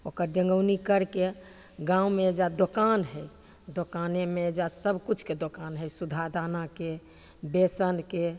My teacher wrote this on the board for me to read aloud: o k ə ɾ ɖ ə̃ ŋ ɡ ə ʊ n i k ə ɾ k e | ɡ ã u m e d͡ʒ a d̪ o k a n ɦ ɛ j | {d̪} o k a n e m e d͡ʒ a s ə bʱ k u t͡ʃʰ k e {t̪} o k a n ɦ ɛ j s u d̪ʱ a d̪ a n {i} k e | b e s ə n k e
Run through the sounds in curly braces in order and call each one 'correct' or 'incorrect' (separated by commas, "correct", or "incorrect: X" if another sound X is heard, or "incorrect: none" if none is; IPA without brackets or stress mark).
correct, incorrect: d̪, incorrect: a